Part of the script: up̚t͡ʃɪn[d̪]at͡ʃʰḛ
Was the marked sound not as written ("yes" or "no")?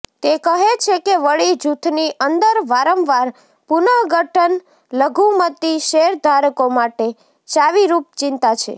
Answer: yes